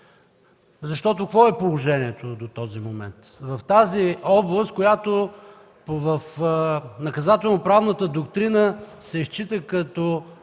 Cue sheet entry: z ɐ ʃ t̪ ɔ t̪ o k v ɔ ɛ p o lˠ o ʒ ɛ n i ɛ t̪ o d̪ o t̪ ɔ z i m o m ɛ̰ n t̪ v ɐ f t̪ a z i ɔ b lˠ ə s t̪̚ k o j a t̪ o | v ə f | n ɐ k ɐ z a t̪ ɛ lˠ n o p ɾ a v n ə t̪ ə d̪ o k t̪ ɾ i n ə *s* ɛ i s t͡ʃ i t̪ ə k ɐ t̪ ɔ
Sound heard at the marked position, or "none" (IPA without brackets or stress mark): s